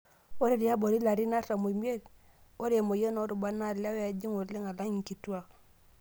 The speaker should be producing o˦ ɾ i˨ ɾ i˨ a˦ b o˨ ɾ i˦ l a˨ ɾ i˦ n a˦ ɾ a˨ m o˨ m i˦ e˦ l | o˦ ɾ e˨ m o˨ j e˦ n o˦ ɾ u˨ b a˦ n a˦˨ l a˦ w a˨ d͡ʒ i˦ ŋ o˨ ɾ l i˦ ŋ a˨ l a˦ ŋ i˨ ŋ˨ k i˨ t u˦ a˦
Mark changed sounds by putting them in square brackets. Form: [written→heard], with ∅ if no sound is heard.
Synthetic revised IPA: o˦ ɾ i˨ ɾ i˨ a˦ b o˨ ɾ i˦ l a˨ ɾ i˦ n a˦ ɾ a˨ m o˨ m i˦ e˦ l | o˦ ɾ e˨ m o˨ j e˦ n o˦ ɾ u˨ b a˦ n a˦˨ l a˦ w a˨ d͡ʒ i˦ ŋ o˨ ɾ l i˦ ŋ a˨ l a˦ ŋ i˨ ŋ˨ k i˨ t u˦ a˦

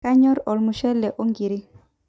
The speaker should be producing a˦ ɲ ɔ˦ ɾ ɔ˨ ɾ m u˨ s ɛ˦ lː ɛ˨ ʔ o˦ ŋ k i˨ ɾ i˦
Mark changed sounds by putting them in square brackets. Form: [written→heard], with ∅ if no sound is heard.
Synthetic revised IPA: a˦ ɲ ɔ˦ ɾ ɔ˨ [ɾ→l] m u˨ [s→ʃ] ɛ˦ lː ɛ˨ ʔ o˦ ŋ [k→ɡ] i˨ ɾ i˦

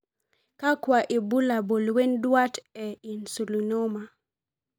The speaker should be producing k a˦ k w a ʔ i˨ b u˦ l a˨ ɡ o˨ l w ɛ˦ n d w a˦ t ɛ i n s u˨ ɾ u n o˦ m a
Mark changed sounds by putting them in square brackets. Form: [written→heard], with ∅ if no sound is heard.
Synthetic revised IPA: k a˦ k w a ʔ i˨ b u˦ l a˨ [ɡ→b] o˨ l w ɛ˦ n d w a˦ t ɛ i n s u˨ [ɾ→l] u n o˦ m a

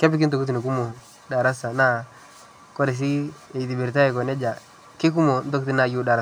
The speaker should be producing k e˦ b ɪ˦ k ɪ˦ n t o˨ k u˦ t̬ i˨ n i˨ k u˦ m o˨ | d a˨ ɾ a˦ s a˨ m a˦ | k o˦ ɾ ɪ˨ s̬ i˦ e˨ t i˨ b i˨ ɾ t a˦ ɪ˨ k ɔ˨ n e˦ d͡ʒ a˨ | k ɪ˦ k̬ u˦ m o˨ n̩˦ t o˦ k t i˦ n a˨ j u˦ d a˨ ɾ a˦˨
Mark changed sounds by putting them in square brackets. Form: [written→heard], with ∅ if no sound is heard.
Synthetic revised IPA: k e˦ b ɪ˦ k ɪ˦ n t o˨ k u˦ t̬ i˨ n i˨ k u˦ m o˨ | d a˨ ɾ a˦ s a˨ [m→n] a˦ | k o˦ ɾ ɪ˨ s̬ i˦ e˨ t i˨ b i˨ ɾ t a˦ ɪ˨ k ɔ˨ n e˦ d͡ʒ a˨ | k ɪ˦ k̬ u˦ m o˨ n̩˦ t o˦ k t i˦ n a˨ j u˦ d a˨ ɾ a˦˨

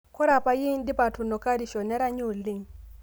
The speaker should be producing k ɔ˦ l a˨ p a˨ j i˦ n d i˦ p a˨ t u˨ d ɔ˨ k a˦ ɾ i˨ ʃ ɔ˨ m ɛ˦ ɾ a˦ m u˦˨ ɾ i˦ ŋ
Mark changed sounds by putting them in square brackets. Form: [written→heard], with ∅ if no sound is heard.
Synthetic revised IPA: k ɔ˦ [l→ɾ] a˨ p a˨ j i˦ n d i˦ p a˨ t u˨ [d→n] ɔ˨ k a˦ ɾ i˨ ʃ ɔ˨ [m→n] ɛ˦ ɾ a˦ [m→ɲ] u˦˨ [ɾ→l] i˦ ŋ

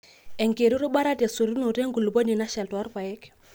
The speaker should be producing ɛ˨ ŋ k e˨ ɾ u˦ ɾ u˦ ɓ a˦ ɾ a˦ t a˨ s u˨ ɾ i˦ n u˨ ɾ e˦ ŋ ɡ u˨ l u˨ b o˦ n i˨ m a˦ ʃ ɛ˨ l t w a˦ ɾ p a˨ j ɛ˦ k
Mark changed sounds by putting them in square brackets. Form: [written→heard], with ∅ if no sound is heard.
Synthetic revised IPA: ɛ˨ ŋ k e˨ ɾ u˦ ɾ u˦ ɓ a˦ ɾ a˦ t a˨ s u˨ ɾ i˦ n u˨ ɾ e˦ ŋ ɡ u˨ l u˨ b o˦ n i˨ [m→n] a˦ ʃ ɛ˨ l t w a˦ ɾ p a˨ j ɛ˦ k

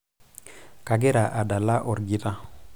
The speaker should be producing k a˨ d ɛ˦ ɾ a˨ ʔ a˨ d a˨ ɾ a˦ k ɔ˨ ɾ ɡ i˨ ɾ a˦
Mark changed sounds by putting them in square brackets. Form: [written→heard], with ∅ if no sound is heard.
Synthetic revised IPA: k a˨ [d→ɡ] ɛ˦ ɾ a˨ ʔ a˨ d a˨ [ɾ→l] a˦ [k→ʔ] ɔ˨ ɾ ɡ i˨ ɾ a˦

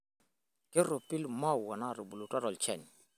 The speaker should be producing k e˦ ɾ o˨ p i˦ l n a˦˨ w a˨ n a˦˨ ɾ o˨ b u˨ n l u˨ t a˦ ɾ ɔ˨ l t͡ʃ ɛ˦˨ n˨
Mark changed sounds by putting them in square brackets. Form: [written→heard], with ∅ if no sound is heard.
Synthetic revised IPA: k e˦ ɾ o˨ p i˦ l [n→m] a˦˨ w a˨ n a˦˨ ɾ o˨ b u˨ [n→∅] l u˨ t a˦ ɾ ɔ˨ l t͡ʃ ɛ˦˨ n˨

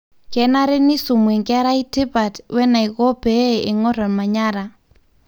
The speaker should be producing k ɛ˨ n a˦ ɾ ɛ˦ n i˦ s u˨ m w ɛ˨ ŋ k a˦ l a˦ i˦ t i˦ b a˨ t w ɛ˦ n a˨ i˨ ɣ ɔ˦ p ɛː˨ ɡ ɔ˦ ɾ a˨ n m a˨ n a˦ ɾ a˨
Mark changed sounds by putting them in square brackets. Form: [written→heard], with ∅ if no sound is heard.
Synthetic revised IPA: k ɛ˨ n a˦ ɾ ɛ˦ n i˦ s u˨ m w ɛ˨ ŋ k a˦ [l→ɾ] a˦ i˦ t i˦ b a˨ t w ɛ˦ n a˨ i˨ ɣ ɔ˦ p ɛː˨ [ɡ→ŋ] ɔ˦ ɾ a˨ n m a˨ [n→ɲ] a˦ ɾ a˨

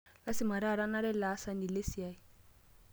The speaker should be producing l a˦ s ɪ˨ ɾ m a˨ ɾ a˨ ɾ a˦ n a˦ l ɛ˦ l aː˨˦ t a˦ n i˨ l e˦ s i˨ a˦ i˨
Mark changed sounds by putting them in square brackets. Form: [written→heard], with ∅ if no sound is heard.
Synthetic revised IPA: l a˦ s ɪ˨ [ɾ→∅] m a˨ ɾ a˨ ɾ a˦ n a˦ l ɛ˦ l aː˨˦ [t→s] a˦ n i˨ l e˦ s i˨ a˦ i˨

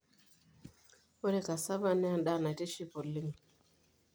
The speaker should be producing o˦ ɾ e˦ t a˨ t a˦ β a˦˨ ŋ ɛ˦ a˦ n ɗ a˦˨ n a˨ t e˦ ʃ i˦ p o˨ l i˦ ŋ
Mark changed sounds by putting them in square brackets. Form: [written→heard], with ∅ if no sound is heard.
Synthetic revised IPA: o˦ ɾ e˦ [t→k] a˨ [t→s] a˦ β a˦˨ [ŋ→n] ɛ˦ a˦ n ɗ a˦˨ n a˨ t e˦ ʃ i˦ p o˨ l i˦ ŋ

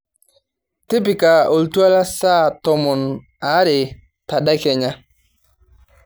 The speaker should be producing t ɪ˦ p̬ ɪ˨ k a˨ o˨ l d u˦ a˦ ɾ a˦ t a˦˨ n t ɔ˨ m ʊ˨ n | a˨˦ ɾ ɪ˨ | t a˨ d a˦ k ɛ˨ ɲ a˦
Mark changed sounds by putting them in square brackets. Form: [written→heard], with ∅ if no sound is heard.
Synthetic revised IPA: t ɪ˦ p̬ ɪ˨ k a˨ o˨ l [d→t] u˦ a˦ [ɾ→l] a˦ [t→s] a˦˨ [n→∅] t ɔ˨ m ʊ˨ n | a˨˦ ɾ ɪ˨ | t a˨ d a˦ k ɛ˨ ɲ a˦

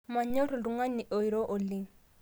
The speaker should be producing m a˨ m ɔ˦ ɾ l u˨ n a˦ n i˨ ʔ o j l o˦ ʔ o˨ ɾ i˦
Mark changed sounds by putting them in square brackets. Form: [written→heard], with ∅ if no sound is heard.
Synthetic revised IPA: m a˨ [m→ɲ] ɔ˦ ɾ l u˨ [n→ŋ] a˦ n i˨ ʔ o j [l→ɾ] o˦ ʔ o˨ [ɾ→l] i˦

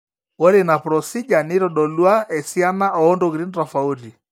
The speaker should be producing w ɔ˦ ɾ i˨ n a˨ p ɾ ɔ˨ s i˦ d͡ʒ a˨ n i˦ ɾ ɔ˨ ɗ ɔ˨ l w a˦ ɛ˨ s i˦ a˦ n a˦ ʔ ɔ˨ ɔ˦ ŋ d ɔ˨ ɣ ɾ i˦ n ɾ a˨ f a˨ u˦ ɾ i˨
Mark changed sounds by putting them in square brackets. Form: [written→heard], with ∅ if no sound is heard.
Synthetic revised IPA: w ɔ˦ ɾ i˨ n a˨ p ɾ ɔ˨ s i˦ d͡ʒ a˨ n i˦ ɾ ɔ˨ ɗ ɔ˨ l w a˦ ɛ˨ s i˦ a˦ n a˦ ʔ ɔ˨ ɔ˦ [ŋ→n] d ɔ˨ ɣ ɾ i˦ n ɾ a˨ f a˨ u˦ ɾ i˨

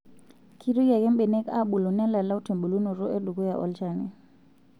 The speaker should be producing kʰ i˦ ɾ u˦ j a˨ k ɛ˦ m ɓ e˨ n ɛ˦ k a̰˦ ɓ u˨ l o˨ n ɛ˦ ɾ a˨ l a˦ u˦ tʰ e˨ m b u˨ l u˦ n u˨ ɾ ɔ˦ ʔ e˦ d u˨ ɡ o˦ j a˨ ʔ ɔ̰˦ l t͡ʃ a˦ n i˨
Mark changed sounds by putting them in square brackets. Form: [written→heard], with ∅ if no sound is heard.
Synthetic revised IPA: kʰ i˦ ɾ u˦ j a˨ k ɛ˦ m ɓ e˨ n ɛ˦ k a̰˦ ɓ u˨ l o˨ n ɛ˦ [ɾ→l] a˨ l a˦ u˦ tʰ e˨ m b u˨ l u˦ n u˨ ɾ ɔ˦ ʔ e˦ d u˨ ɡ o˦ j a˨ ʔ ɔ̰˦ l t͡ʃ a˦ n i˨

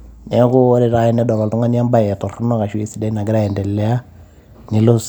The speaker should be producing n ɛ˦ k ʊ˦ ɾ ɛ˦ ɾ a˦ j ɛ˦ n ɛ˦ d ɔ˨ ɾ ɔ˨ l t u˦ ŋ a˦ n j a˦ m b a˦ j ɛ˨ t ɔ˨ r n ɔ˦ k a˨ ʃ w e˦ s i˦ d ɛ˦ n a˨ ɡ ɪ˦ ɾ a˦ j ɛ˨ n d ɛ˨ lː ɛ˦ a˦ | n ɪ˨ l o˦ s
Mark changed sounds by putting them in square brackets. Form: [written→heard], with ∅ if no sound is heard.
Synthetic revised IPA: n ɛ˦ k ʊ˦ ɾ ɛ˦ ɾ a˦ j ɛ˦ n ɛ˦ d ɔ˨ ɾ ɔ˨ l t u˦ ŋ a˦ n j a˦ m b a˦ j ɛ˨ t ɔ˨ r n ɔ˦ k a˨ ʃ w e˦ s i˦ d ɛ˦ n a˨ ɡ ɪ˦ ɾ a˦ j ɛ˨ n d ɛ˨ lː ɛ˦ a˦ | n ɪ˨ l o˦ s

